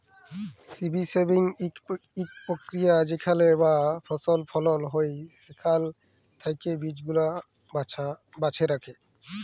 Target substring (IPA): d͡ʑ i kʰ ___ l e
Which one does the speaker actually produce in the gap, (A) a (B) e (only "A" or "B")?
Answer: A